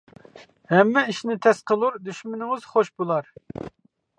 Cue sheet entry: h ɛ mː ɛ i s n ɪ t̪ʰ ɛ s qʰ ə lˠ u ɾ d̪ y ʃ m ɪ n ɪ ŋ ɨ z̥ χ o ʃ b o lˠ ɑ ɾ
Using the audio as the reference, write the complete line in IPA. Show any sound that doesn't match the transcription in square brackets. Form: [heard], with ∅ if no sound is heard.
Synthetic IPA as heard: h ɛ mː ɛ i [ʃ] n ɪ t̪ʰ ɛ s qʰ ə lˠ u ɾ d̪ y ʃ m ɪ n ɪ ŋ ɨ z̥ χ o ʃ b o lˠ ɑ ɾ